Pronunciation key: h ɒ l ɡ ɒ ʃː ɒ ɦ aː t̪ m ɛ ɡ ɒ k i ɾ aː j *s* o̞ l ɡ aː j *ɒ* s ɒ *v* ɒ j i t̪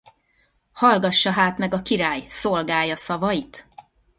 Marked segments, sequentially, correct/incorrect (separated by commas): correct, correct, correct